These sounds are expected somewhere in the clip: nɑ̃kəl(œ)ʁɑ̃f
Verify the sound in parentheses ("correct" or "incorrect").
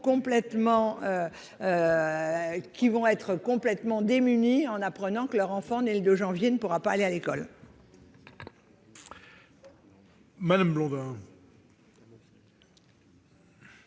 correct